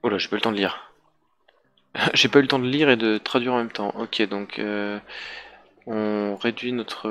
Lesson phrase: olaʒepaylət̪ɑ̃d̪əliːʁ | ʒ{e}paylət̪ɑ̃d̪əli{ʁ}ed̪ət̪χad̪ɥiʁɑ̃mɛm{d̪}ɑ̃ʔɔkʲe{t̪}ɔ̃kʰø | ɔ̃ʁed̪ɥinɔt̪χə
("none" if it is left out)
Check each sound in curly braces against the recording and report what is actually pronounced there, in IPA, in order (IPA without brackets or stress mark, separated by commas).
e, ʁ, t̪, d̪